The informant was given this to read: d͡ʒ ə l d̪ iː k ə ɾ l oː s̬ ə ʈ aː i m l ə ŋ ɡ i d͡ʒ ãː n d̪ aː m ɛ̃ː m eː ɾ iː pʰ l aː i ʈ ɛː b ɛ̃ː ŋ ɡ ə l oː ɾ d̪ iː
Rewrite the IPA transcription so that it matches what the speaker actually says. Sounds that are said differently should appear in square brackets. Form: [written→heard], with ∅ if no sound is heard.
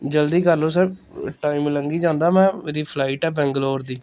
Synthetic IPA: d͡ʒ ə l d̪ iː k ə ɾ l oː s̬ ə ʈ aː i m l ə ŋ ɡ [i→iː] d͡ʒ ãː n d̪ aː m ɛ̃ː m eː ɾ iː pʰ l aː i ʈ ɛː b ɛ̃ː ŋ ɡ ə l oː ɾ d̪ iː